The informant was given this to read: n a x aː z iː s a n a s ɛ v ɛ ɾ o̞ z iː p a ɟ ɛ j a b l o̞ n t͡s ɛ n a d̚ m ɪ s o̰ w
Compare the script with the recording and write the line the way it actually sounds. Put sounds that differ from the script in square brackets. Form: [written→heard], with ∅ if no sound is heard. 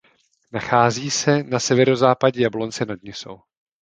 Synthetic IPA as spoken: n a x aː z iː s [a→ɛ] n a s ɛ v ɛ ɾ o̞ z [iː→aː] p a ɟ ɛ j a b l o̞ n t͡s ɛ n a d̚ [m→ɲ] ɪ s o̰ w